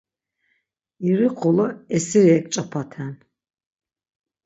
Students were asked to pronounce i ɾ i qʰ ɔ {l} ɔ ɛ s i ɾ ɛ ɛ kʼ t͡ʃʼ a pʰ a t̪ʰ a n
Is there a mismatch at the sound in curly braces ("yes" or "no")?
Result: no